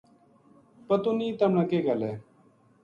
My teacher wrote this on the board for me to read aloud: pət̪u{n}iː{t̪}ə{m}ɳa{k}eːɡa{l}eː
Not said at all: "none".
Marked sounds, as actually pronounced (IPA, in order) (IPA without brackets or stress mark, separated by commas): n, t̪, m, k, l